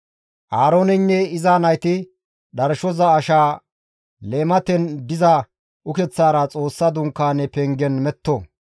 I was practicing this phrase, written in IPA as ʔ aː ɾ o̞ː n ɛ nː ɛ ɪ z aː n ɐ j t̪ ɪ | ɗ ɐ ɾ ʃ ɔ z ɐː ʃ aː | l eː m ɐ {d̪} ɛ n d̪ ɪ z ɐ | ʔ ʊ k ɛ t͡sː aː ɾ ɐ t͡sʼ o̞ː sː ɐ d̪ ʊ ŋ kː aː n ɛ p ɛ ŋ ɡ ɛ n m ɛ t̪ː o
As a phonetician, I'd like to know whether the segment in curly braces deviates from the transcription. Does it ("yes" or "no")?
yes